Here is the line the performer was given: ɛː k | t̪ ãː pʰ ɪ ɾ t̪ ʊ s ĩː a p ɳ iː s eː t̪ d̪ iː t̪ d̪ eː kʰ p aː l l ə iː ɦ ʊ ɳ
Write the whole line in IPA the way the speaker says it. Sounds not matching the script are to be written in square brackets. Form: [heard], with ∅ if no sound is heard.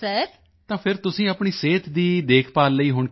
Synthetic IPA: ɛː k | t̪ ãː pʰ ɪ ɾ t̪ ʊ s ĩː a p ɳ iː s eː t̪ d̪ iː [∅] d̪ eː kʰ p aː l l ə iː ɦ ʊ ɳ